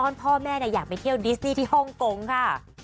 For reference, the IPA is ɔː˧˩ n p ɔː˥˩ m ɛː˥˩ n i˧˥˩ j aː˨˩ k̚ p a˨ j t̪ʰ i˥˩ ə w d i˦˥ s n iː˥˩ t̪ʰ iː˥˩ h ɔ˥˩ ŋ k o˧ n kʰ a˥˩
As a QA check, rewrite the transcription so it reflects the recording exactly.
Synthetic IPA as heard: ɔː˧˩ n pʰ ɔː˥˩ m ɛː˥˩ n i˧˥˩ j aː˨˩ k̚ p a˨ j t̪ʰ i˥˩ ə w d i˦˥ s n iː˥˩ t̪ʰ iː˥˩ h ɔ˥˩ ŋ k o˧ ŋ kʰ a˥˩

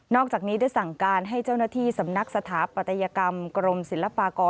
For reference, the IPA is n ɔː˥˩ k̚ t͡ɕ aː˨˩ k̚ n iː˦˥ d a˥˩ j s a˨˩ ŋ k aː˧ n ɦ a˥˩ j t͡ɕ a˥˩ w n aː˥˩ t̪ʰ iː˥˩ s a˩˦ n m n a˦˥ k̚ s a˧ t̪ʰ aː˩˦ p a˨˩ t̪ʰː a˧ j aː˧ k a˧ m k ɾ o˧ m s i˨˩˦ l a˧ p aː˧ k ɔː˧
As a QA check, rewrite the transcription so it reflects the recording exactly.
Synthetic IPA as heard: n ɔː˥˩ k̚ t͡ɕ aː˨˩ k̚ n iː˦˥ d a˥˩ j s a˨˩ ŋ k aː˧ n ɦ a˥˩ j t͡ɕ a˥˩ w n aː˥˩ t̪ʰ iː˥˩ s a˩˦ m n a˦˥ k̚ s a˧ t̪ʰ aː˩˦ p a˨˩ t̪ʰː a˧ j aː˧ k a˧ m k ɾ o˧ m s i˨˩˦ l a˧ p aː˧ k ɔː˧

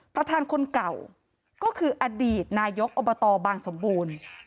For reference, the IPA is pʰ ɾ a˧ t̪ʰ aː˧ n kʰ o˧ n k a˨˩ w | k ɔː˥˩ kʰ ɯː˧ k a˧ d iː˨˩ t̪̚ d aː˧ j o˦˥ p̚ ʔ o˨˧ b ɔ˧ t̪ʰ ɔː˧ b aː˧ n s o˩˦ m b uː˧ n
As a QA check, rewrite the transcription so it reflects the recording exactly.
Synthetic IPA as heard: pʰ ɾ a˧ t̪ʰ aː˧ n kʰ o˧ n k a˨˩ w | k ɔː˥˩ kʰ ɯː˧ ʔ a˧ d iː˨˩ t̪̚ n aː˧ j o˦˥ k̚ ʔ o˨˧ b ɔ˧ t̪ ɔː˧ b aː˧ ŋ s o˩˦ m b uː˧ n

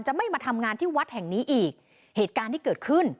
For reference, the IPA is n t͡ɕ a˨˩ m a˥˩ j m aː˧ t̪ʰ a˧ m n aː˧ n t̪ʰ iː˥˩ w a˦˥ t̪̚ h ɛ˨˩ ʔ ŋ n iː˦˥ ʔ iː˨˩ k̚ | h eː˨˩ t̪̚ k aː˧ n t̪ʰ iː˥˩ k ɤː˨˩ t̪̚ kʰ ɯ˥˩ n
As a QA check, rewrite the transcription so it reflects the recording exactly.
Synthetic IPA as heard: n t͡ɕ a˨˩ m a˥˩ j m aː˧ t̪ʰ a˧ m ŋ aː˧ n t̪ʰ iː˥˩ w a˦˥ t̪̚ h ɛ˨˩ ŋ n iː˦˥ ʔ iː˨˩ k̚ | h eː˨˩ t̪̚ k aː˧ n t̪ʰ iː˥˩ k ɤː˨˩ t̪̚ kʰ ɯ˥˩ n

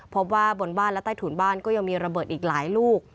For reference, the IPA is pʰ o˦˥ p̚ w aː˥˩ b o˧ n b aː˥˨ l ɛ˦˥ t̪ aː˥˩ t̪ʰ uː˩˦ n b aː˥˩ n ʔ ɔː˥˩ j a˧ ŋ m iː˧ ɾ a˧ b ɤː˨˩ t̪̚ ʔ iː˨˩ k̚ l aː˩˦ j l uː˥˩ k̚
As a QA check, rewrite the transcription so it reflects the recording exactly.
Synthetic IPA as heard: pʰ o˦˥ p̚ w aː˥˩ b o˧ n b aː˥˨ l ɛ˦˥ t̪ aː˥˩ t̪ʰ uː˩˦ n b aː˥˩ n k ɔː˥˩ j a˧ ŋ m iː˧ ɾ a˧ b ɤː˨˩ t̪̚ ʔ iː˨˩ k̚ l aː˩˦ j l uː˥˩ k̚

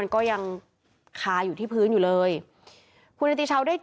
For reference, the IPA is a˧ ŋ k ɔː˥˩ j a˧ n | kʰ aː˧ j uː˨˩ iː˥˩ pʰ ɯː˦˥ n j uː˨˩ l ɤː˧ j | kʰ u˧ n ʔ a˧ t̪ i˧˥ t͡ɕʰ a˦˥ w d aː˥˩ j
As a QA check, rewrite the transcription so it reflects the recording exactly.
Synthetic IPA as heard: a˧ n k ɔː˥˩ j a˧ ŋ | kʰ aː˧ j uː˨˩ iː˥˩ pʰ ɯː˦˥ n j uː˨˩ l ɤː˧ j | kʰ u˧ n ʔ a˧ t̪ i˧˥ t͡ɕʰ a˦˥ w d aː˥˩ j

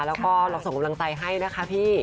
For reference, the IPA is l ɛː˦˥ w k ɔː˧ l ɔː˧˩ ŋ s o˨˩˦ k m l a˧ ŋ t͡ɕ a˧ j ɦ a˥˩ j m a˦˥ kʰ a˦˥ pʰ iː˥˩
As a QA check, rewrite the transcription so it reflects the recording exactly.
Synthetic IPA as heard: l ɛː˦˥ w k ɔː˥˩ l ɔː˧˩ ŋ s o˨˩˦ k m l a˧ ŋ t͡ɕ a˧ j ɦ a˥˩ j n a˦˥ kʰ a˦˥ pʰ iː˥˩

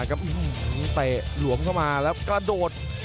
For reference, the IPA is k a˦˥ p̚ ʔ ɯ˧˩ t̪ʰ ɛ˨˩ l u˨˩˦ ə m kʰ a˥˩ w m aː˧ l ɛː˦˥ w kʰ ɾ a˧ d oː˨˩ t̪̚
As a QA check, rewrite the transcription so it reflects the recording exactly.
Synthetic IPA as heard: k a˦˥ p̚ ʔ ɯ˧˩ t̪ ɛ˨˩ l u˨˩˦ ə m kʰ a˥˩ w m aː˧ l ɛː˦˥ w k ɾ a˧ d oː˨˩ t̪̚

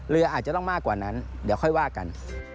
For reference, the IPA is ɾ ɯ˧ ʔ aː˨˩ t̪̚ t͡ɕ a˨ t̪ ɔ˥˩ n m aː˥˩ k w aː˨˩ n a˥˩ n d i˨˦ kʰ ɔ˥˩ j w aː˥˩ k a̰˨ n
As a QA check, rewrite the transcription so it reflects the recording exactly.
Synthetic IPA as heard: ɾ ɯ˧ ʔ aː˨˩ t̪̚ t͡ɕ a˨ t̪ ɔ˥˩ ŋ m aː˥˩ k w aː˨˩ n a˦˥ n d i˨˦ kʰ ɔ˥˩ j w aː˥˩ k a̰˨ n

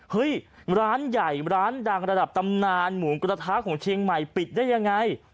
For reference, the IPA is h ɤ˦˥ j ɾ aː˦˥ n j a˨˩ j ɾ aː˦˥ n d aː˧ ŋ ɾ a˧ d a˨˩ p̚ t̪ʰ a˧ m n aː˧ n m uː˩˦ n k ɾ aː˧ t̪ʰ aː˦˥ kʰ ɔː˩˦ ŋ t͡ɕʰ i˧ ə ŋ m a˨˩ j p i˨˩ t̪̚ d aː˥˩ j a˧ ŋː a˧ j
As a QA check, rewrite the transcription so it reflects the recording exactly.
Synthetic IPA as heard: h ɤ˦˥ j ɾ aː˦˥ n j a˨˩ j ɾ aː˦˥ n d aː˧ ŋ ɾ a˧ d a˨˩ p̚ t̪ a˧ m n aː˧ n m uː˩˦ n k ɾ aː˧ t̪ʰ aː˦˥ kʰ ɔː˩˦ ŋ t͡ɕʰ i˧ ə ŋ m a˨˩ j p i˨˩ t̪̚ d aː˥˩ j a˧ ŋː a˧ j

